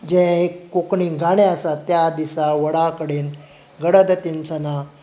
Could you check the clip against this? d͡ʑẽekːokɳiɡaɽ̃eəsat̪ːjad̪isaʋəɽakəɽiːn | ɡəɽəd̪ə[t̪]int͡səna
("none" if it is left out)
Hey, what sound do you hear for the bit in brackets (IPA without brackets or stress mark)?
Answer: t̪